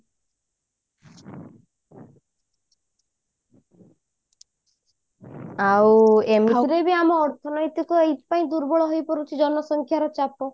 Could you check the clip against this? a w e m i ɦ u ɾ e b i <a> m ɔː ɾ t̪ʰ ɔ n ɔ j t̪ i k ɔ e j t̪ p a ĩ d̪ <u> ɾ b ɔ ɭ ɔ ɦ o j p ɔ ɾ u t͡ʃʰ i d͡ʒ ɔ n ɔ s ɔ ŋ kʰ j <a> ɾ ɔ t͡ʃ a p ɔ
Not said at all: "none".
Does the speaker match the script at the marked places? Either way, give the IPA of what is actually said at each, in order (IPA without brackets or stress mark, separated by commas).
a, u, a